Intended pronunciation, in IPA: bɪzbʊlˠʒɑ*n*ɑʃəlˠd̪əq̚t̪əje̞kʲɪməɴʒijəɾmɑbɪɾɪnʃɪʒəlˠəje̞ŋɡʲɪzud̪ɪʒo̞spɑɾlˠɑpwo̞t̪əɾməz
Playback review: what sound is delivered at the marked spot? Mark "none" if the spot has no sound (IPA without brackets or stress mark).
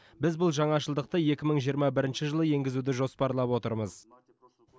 ɴ